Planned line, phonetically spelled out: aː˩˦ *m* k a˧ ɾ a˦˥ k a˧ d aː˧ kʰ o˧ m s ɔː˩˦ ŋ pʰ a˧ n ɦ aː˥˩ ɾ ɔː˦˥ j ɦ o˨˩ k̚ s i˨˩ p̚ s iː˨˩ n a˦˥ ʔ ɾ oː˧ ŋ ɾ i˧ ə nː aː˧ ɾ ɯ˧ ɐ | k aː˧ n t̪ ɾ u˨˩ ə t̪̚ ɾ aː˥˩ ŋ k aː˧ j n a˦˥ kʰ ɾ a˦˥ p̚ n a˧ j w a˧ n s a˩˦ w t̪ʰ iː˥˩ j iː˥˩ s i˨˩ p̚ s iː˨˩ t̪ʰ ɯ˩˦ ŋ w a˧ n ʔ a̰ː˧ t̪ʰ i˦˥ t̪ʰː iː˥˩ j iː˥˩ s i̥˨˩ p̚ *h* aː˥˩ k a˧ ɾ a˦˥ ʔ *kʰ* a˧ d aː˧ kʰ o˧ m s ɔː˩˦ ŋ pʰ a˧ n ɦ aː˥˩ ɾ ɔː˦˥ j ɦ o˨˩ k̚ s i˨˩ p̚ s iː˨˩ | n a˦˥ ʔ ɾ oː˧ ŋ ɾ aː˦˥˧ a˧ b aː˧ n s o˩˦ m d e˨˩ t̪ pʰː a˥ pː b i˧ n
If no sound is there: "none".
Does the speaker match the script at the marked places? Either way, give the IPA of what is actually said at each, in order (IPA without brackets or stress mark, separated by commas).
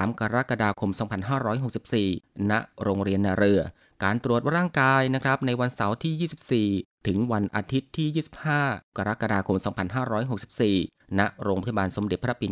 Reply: m, h, k